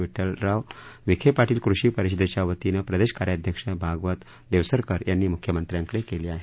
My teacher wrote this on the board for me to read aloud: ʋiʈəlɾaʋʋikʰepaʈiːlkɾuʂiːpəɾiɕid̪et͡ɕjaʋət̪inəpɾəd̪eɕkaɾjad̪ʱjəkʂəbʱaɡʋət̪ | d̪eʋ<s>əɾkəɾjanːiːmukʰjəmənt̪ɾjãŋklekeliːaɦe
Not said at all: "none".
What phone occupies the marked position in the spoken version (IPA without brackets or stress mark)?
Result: s